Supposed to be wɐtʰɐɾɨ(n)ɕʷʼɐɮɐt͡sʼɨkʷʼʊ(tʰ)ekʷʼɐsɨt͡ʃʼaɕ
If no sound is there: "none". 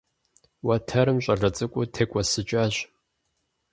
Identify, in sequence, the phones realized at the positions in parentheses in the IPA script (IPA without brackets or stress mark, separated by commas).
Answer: m, tʰ